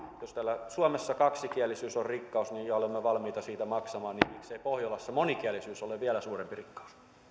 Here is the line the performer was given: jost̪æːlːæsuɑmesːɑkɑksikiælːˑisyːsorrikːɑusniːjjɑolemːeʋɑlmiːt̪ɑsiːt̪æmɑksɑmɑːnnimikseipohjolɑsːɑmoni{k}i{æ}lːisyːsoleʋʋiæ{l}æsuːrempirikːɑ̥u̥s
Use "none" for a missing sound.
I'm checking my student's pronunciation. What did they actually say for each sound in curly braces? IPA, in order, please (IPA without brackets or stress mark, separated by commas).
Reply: k, æ, l